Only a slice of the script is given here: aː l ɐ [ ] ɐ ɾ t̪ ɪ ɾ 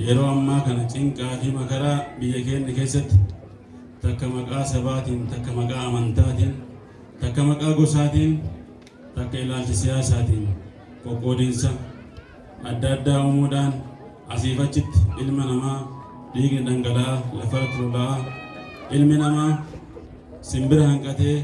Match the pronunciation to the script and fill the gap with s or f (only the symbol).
f